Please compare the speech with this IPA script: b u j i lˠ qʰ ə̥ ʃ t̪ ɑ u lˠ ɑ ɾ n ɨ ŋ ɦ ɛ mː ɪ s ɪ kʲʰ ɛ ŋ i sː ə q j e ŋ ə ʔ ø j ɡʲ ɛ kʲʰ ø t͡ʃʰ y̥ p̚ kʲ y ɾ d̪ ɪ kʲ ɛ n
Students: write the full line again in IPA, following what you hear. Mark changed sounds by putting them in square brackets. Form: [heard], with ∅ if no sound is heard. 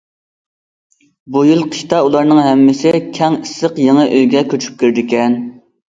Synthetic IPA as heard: b u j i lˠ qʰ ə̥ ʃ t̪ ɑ u lˠ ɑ ɾ n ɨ ŋ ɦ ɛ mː ɪ s ɪ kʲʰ ɛ ŋ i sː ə q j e ŋ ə ʔ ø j ɡʲ ɛ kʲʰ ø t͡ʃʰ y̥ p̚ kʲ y ɾ d̪ ɪ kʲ ɛ n